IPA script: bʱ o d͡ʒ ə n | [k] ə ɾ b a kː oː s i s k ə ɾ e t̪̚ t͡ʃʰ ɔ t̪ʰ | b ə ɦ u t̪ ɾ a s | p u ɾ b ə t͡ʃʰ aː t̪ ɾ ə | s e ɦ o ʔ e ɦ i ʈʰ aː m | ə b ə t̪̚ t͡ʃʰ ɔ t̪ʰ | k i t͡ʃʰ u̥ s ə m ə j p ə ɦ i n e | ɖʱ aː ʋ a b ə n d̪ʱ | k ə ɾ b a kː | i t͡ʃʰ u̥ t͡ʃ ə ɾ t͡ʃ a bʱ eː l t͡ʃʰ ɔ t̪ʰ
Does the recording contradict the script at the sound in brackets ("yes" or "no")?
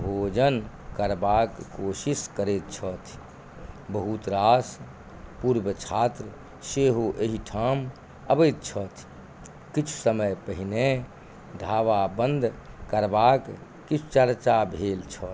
no